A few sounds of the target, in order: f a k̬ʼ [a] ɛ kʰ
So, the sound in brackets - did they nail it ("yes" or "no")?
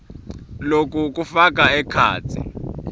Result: yes